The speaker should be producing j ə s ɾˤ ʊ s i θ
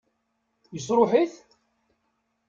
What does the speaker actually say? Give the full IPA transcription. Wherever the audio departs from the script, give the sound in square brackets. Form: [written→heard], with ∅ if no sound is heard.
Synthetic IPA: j ə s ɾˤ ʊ [s→ħ] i θ